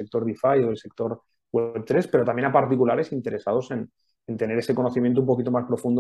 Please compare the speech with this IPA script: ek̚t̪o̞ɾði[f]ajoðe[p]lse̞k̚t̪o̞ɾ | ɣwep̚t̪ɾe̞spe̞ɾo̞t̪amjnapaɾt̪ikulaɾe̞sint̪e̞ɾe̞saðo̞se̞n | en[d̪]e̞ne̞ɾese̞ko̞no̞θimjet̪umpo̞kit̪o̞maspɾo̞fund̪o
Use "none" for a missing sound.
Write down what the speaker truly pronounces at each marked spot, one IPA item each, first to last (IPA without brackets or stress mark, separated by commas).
f, none, t̪